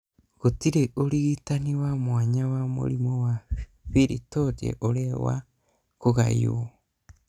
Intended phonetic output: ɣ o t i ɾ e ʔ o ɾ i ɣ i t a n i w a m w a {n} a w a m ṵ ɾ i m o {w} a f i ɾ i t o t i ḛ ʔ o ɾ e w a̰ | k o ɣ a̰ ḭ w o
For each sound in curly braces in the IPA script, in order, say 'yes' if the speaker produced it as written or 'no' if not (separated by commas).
no, yes